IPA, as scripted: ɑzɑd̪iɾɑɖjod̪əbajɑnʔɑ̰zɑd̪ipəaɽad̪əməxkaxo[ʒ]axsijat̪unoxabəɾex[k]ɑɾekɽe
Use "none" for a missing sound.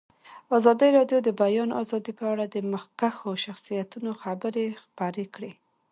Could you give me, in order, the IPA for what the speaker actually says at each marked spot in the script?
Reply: ʃ, p

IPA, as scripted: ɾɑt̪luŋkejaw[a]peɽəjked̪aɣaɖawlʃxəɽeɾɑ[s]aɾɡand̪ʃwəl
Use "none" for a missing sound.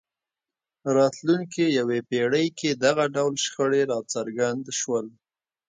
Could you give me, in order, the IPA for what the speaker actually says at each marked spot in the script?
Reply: e, t͡s

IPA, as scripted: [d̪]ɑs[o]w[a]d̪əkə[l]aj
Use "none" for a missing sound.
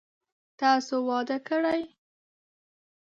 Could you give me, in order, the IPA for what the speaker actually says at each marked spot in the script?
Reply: t̪, o, ɑ, ɽ

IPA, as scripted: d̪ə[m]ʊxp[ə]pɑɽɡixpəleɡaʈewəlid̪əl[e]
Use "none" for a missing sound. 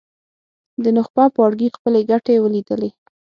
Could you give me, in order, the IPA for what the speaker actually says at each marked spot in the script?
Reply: n, ɑ, e

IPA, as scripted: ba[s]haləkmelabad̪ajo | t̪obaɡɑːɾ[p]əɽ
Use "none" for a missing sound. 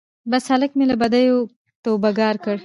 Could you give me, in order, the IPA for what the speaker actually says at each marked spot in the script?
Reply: s, k

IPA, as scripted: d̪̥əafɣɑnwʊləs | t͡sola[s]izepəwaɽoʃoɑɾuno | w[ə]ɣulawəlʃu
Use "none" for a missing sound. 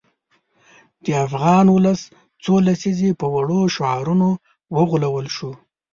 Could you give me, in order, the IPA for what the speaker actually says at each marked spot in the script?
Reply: s, ə

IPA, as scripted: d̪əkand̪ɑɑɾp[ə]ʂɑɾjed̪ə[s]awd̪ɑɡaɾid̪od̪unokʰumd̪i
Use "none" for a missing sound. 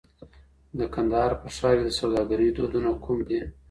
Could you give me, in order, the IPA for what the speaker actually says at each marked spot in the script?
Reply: ə, s

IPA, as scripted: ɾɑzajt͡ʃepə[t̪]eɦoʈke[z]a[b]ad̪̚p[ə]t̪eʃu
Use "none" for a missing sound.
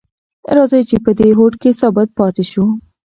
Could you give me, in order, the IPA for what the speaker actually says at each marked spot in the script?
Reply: d̪, s, b, ɑ

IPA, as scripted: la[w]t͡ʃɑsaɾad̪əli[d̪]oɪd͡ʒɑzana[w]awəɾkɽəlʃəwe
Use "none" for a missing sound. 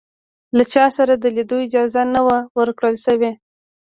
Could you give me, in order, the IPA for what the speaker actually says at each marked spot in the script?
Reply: none, d̪, w

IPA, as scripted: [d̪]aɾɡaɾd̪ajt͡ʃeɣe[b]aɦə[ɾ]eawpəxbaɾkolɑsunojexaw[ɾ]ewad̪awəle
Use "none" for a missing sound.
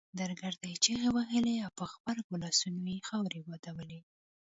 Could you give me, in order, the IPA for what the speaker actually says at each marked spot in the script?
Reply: d̪, w, l, ɾ

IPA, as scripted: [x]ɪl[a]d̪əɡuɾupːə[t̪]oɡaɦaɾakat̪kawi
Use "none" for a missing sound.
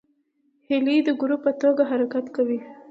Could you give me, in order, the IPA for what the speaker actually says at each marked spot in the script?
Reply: h, i, t̪

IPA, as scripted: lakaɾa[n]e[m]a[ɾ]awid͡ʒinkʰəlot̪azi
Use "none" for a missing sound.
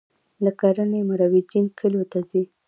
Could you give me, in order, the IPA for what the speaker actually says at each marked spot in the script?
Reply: n, m, ɾ

